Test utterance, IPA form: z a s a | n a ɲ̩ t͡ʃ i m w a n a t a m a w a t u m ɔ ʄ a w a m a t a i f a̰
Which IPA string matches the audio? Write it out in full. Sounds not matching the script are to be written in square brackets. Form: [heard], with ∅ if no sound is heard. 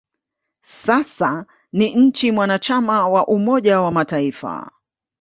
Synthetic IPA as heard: [s] a s a | n [i] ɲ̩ t͡ʃ i m w a n a [t͡ʃ] a m a w a [ʔ] u m ɔ ʄ a w a m a t a i f a̰